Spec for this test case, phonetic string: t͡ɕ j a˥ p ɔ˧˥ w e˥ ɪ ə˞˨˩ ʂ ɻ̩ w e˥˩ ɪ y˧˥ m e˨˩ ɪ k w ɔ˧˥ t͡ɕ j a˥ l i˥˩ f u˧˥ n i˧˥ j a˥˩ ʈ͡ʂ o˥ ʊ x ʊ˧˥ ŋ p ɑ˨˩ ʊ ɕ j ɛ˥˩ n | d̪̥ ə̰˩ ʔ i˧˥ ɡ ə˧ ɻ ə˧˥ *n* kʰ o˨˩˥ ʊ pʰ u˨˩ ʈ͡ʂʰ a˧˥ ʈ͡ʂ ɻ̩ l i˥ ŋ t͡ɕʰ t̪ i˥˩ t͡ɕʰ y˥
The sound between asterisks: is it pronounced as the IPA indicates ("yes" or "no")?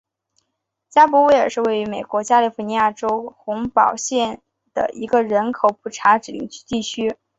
yes